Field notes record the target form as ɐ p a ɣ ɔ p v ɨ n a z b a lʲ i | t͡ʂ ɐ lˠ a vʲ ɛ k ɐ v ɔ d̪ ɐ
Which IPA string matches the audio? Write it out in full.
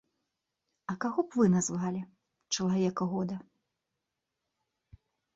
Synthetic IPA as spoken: ɐ k a ɣ ɔ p v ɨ n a z v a lʲ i | t͡ʂ ɐ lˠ a vʲ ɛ k ɐ ɣ ɔ d̪ ɐ